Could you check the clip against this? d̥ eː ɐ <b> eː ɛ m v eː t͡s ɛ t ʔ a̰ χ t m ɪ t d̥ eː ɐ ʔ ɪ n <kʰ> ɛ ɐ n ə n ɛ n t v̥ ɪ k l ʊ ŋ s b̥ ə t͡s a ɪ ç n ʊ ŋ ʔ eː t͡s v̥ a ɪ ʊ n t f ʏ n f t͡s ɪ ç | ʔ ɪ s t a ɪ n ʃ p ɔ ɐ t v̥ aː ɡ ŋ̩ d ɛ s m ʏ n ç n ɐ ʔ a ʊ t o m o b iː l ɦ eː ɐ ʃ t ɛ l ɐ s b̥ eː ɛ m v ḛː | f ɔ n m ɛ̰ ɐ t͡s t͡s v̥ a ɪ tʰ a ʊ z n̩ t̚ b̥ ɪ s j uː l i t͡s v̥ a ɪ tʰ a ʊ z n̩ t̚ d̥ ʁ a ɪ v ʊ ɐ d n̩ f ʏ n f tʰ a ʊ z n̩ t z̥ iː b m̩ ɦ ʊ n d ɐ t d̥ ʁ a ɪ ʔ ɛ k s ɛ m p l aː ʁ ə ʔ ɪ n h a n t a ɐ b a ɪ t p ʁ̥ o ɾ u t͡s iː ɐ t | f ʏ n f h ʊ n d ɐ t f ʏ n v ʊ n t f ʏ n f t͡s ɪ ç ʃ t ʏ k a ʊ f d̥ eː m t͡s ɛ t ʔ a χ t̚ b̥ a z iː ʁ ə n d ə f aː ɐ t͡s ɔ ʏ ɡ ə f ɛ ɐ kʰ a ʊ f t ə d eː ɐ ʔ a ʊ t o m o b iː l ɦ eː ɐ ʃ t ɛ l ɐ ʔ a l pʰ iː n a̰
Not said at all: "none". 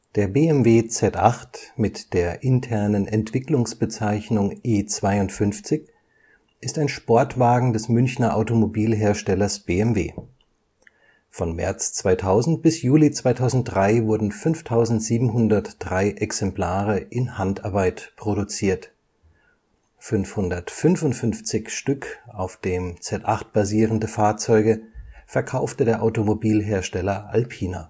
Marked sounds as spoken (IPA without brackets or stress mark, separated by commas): b, tʰ